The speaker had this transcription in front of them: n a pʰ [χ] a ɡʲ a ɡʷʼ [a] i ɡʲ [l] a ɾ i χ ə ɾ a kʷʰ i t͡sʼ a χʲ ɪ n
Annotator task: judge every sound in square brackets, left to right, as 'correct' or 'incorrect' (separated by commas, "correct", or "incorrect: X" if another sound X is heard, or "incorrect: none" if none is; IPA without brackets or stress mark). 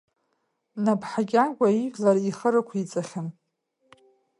incorrect: ħ, correct, correct